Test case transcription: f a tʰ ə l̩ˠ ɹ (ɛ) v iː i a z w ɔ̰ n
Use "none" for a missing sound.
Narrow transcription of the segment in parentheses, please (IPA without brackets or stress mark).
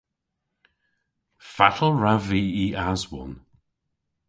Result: a